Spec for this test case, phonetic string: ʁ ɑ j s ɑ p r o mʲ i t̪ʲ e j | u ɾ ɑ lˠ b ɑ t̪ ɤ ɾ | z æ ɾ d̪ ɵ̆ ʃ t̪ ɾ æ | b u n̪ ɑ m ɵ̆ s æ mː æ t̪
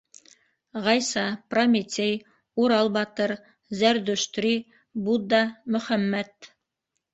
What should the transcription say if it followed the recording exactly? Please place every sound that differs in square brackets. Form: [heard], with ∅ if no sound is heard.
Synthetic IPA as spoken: ʁ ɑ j s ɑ p r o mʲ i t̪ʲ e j | u ɾ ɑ lˠ b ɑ t̪ ɤ ɾ | z æ ɾ d̪ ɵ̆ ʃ t̪ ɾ [i] | b u [d̪] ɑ m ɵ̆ [χ] æ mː æ t̪

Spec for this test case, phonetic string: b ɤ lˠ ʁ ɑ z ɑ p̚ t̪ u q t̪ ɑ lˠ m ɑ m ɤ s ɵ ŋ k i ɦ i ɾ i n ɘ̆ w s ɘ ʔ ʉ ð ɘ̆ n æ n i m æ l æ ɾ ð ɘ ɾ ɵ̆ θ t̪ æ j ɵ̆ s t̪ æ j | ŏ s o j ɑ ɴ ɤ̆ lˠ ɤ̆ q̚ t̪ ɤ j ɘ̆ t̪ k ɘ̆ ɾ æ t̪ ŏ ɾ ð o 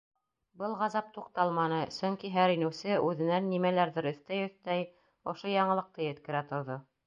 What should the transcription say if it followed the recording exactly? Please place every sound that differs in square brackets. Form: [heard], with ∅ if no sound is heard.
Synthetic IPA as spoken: b ɤ lˠ ʁ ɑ z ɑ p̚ t̪ u q t̪ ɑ lˠ m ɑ [n] ɤ s ɵ ŋ k i ɦ [æ] ɾ i n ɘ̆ w s ɘ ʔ ʉ ð ɘ̆ n æ [nː] i m æ l æ ɾ ð ɘ ɾ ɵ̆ θ t̪ æ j ɵ̆ [θ] t̪ æ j | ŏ [ʃ] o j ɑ ɴ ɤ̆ lˠ ɤ̆ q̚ t̪ ɤ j ɘ̆ t̪ k ɘ̆ ɾ æ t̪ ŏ ɾ ð o

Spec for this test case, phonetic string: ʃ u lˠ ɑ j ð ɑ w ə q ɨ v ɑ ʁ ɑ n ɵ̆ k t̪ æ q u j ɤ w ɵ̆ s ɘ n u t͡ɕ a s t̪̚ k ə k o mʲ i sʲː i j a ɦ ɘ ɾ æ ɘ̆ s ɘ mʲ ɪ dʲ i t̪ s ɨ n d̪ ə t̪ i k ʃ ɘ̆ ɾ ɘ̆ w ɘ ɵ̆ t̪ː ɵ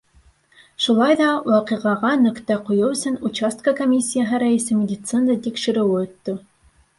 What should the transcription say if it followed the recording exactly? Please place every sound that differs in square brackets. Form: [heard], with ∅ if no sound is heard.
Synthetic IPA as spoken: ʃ u lˠ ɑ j ð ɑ w [ɑ] q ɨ [ʁ] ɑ ʁ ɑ n ɵ̆ k t̪ æ q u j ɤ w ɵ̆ s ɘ n u t͡ɕ a s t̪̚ k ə k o mʲ i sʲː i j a ɦ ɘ ɾ æ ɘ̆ s ɘ mʲ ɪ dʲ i t̪ s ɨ n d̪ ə t̪ i k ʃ ɘ̆ ɾ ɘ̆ w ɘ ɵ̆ t̪ː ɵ

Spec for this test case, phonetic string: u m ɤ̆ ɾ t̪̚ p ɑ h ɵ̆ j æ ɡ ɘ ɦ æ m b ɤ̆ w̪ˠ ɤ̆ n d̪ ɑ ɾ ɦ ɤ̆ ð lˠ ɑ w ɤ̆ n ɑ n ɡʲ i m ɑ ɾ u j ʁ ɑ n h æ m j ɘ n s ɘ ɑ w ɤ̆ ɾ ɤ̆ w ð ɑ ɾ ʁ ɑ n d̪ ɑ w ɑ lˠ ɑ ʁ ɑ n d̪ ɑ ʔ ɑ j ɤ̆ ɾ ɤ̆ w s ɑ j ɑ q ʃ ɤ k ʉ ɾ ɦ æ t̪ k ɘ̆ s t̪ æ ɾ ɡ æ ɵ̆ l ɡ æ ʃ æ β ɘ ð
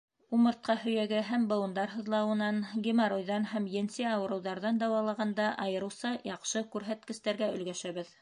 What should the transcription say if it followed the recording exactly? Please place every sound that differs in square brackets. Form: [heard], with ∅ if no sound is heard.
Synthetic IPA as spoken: u m ɤ̆ ɾ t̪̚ [q] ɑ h ɵ̆ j æ ɡ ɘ ɦ æ m b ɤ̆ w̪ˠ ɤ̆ n d̪ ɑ ɾ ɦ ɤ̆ ð lˠ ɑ w ɤ̆ n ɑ n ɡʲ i m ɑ ɾ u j [ð] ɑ n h æ m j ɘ n s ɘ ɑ w ɤ̆ ɾ ɤ̆ w ð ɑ ɾ [ð] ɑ n d̪ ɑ w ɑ lˠ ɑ ʁ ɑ n d̪ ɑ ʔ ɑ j ɤ̆ ɾ ɤ̆ w s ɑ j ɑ q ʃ ɤ k ʉ ɾ ɦ æ t̪ k ɘ̆ s t̪ æ ɾ ɡ æ ɵ̆ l ɡ æ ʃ æ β ɘ ð

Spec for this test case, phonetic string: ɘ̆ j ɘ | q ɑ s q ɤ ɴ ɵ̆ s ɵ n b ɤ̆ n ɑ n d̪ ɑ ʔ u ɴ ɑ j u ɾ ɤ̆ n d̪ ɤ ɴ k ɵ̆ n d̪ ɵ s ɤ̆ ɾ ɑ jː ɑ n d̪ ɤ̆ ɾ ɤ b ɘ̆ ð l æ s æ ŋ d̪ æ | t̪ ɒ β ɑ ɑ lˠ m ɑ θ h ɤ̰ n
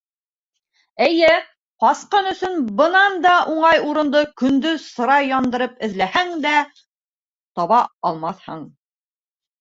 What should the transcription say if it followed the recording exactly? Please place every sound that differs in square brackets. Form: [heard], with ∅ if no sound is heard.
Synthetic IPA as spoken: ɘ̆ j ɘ | q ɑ s q ɤ [n] ɵ̆ s ɵ n b ɤ̆ n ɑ n d̪ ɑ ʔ u ɴ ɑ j u ɾ ɤ̆ n d̪ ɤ [∅] k ɵ̆ n d̪ ɵ s ɤ̆ ɾ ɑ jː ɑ n d̪ ɤ̆ ɾ ɤ [p] ɘ̆ ð l æ [h] æ ŋ d̪ æ | t̪ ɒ β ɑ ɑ lˠ m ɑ θ h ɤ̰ [ɴ]

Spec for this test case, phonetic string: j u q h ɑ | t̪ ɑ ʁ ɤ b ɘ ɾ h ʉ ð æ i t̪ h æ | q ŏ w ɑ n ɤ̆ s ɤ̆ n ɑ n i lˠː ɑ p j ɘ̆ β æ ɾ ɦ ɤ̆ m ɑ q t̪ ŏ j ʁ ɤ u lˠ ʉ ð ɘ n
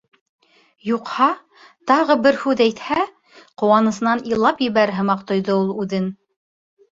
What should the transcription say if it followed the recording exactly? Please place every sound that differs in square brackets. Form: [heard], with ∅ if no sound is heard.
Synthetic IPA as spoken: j u q h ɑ | t̪ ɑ ʁ ɤ b ɘ ɾ h ʉ ð æ [j] t̪ h æ | q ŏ w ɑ n ɤ̆ s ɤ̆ n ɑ n i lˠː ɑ p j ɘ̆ β æ ɾ ɦ ɤ̆ m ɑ q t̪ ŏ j [ð] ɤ u lˠ ʉ ð ɘ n

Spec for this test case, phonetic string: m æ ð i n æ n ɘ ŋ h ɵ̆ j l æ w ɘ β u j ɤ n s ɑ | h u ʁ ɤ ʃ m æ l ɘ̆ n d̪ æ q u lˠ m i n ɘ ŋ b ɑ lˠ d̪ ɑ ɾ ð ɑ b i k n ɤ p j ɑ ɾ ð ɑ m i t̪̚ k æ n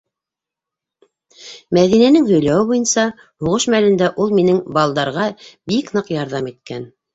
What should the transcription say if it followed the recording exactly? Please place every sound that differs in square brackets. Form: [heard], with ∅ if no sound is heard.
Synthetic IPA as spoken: m æ ð i n æ n ɘ ŋ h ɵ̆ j l æ w ɘ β u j ɤ n s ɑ | h u ʁ ɤ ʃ m æ l ɘ̆ n d̪ æ [ʔ] u lˠ m i n ɘ ŋ b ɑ lˠ d̪ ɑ ɾ [ʁ] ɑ b i k n ɤ [q] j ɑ ɾ ð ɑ m i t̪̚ k æ n

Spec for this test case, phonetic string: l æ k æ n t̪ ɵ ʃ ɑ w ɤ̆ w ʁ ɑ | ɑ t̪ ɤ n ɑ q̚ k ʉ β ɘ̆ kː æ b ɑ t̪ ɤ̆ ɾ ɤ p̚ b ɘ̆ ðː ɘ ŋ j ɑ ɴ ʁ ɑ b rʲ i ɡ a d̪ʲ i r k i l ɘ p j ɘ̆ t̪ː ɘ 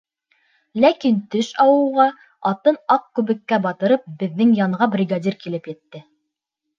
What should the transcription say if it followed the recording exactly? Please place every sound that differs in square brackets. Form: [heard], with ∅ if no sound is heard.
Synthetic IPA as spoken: l æ k [i] n t̪ ɵ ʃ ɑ w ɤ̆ w ʁ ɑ | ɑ t̪ ɤ n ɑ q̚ k ʉ β ɘ̆ kː æ b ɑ t̪ ɤ̆ ɾ ɤ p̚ b ɘ̆ ðː ɘ ŋ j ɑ ɴ ʁ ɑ b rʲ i ɡ a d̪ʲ i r k i l ɘ p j ɘ̆ t̪ː ɘ

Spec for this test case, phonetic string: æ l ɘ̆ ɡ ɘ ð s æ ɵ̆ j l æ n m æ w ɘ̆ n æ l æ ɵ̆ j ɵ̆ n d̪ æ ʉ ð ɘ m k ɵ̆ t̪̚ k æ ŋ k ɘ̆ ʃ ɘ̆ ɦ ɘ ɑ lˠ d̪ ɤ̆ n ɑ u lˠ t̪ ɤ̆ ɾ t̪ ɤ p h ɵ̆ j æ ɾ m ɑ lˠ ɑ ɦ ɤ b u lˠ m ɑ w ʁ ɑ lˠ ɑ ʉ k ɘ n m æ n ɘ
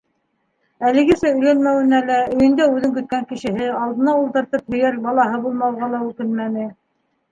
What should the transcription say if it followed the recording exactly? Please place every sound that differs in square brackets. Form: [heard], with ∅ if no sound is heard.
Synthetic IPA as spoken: æ l ɘ̆ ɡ ɘ [∅] s æ ɵ̆ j l æ n m æ w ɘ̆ n æ l æ ɵ̆ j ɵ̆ n d̪ æ ʉ ð ɘ [ŋ] k ɵ̆ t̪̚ k æ ŋ k ɘ̆ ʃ ɘ̆ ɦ ɘ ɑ lˠ d̪ ɤ̆ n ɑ u lˠ t̪ ɤ̆ ɾ t̪ ɤ p h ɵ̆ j æ ɾ [b] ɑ lˠ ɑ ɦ ɤ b u lˠ m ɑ w ʁ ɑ lˠ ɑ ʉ k ɘ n m æ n ɘ

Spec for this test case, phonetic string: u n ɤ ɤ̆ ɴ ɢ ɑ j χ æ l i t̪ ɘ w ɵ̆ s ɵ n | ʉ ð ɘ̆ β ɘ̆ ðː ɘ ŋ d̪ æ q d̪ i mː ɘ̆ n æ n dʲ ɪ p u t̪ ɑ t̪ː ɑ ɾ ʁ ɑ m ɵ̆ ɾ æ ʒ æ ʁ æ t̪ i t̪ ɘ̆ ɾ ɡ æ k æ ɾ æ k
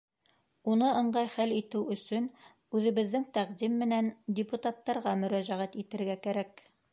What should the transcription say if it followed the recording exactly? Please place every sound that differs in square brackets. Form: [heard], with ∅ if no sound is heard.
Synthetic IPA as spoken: u n ɤ ɤ̆ ɴ ɢ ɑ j χ æ l i t̪ ɘ w ɵ̆ s ɵ n | ʉ ð ɘ̆ β ɘ̆ ðː ɘ ŋ [t̪] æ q d̪ i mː ɘ̆ n æ n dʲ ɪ p u t̪ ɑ t̪ː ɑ ɾ ʁ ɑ m ɵ̆ ɾ æ ʒ æ ʁ æ t̪ i t̪ ɘ̆ ɾ ɡ æ k æ ɾ æ k

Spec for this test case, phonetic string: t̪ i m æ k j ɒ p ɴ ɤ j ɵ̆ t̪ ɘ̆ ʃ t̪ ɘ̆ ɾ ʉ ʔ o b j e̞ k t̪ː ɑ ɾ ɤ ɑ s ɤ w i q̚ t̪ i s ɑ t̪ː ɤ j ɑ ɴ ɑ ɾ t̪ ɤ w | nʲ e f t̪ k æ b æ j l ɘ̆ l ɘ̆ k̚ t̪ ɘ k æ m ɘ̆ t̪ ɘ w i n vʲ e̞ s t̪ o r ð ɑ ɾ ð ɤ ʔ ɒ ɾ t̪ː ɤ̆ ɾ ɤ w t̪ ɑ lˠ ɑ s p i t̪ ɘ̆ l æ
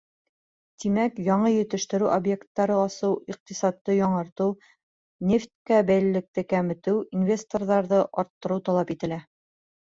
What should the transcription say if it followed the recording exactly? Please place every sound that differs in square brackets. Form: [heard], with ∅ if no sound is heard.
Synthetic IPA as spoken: t̪ i m æ k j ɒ [∅] ɴ ɤ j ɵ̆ t̪ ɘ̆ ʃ t̪ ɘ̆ ɾ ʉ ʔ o b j e̞ k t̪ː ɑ ɾ ɤ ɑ s ɤ w i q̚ t̪ i s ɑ t̪ː ɤ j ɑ ɴ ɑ ɾ t̪ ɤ w | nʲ e f t̪ k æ b æ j l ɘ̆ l ɘ̆ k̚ t̪ ɘ k æ m ɘ̆ t̪ ɘ w i n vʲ e̞ s t̪ o r ð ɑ ɾ ð ɤ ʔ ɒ ɾ t̪ː ɤ̆ ɾ ɤ w t̪ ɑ lˠ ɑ [∅] p i t̪ ɘ̆ l æ

